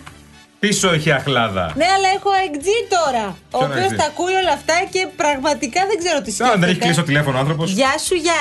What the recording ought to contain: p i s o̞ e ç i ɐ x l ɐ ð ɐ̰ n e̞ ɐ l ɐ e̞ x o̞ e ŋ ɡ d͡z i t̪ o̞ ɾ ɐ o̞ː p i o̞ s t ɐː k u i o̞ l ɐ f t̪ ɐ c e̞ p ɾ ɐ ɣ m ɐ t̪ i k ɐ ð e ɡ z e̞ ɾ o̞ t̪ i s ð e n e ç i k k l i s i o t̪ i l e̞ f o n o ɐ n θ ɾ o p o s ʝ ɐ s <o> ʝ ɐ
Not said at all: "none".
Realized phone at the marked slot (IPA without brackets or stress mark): u